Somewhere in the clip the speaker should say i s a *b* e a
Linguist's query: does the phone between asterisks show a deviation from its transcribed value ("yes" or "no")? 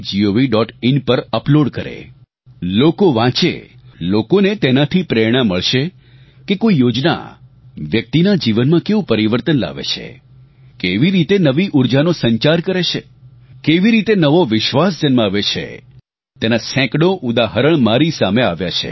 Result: yes